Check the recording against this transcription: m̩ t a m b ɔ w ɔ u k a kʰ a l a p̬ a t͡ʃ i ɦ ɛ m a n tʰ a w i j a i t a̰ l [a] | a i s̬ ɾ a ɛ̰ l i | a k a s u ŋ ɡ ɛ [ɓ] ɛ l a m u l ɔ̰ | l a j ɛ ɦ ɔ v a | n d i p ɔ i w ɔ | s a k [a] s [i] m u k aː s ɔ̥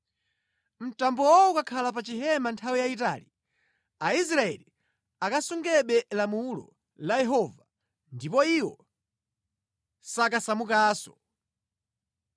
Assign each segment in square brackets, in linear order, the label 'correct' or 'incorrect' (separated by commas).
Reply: incorrect, correct, correct, incorrect